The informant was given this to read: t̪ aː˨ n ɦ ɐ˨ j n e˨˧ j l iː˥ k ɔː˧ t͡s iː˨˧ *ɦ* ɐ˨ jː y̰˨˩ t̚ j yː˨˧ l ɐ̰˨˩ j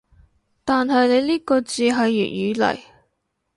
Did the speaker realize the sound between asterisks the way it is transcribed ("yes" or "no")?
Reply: yes